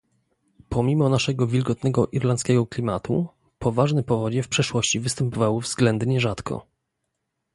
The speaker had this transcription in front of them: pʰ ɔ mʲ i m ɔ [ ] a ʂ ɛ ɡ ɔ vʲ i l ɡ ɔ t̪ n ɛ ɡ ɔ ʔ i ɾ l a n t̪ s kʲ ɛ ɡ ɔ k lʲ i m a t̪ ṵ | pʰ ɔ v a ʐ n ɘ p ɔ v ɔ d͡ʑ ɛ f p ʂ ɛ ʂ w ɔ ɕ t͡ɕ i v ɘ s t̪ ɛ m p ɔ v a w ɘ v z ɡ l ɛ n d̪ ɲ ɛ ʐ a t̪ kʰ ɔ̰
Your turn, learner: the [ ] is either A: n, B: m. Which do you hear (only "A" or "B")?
A